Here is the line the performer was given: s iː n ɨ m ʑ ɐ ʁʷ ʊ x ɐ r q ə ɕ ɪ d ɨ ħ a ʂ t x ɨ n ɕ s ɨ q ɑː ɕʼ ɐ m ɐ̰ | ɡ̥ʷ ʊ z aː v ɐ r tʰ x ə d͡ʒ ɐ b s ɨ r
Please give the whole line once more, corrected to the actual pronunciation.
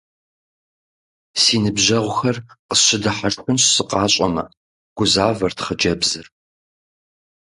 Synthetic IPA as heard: s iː n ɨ b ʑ ɐ ʁʷ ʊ x ɐ r q ə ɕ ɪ d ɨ ħ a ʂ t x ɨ n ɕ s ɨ q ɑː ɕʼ ɐ m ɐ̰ | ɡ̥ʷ ʊ z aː v ɐ r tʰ χ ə d͡ʒ ɐ b z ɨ r